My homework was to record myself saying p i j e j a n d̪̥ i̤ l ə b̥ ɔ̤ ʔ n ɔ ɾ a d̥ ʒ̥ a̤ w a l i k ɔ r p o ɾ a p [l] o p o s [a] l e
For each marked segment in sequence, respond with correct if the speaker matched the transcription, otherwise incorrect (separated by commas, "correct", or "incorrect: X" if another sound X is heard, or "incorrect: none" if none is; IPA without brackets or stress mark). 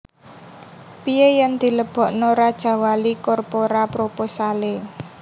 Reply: incorrect: ɾ, correct